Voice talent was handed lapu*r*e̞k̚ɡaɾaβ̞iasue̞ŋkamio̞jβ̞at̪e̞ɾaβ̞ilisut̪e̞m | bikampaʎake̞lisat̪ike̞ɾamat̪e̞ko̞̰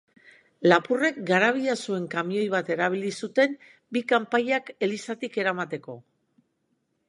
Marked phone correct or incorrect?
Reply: correct